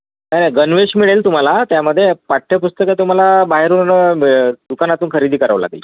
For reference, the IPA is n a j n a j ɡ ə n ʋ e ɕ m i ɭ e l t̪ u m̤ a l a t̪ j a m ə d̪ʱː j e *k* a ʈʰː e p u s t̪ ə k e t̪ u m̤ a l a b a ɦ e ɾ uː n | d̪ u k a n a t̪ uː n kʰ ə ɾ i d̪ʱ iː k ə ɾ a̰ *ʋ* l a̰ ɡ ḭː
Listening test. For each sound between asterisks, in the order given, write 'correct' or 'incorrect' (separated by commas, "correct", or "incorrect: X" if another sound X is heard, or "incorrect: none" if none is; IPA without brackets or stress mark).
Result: incorrect: p, correct